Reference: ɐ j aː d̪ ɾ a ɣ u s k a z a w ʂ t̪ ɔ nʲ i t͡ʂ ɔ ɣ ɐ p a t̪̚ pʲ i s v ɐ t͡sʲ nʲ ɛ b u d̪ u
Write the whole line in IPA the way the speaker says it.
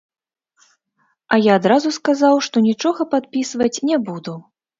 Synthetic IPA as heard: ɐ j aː d̪ ɾ a z u s k a z a w ʂ t̪ ɔ nʲ i t͡ʂ ɔ ɣ ɐ p a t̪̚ pʲ i s v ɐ t͡sʲ nʲ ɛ b u d̪ u